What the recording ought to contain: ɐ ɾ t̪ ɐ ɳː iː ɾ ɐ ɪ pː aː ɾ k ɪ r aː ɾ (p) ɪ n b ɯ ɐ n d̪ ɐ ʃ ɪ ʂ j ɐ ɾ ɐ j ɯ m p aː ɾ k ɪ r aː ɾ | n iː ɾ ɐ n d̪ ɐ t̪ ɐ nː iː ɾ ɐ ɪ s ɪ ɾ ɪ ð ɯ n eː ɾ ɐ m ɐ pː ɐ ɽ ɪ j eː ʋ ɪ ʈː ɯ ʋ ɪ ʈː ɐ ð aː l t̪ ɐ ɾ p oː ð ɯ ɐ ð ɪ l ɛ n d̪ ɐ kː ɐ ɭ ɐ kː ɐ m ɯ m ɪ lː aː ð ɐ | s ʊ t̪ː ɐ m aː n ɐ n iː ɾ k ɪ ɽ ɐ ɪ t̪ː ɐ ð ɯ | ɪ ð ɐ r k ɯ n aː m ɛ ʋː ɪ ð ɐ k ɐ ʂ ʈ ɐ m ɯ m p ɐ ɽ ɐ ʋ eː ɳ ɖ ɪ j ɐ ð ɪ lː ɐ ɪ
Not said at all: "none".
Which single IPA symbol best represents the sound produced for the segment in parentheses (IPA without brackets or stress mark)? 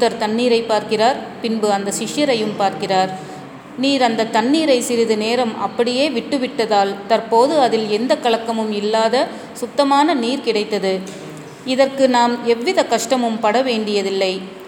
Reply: p